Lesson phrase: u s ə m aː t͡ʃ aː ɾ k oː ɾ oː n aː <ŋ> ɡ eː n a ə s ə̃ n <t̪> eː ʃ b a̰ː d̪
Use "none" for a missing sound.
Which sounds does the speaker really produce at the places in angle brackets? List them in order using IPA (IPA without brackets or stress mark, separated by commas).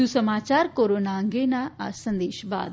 ŋ, d̪